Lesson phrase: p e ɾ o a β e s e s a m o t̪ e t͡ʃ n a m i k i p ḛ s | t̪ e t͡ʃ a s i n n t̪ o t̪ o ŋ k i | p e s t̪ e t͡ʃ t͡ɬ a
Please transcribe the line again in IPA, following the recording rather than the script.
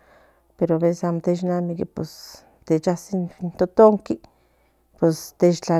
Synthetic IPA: p e ɾ o a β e s e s a m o t̪ e t͡ʃ n a m i k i p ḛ s | t̪ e t͡ʃ a s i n n t̪ o t̪ o ŋ k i | p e s t̪ e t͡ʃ t͡ɬ a